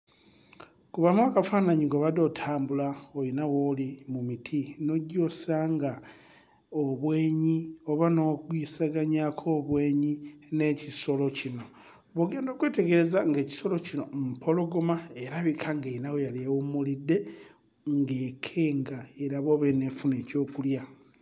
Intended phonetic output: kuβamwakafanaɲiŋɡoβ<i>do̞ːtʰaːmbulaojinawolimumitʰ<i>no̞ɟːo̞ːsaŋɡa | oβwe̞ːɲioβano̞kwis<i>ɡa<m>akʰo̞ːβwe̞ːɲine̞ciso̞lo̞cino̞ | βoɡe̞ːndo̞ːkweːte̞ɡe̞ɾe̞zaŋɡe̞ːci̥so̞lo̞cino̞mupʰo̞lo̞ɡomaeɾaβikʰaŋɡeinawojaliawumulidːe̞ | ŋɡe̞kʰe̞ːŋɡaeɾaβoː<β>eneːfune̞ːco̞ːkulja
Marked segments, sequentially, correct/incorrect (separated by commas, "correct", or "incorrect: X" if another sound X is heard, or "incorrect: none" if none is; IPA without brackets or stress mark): incorrect: a, correct, incorrect: a, incorrect: ɲ, correct